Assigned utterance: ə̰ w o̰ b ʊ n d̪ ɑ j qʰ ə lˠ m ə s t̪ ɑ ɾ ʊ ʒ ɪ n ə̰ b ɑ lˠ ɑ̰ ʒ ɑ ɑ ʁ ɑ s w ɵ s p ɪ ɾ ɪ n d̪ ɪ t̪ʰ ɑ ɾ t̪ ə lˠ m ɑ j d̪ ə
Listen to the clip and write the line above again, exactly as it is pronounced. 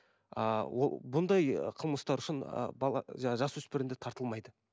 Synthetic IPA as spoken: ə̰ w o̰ b ʊ n d̪ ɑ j qʰ ə lˠ m ə s t̪ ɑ ɾ ʊ ʃ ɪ n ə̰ b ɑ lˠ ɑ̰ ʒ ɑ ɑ ʒ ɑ s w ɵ s p ɪ ɾ ɪ n d̪ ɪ t̪ʰ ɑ ɾ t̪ ə lˠ m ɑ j d̪ ə